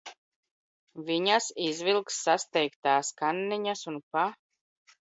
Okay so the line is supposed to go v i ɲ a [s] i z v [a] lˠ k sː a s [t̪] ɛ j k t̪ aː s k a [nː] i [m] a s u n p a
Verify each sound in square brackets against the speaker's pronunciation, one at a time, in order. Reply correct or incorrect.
correct, incorrect, correct, correct, incorrect

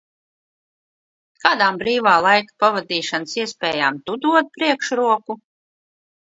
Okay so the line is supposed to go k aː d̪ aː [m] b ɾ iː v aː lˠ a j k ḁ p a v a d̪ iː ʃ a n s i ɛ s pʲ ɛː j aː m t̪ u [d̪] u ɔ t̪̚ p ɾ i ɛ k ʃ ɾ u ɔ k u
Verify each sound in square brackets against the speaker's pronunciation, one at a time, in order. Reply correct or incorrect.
correct, correct

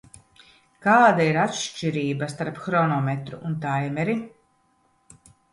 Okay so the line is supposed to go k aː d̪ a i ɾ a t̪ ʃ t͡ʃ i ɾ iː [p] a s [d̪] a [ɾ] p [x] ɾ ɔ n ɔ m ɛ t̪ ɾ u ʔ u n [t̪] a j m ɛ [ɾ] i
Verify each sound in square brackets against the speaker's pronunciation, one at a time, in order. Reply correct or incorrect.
incorrect, incorrect, correct, correct, correct, correct

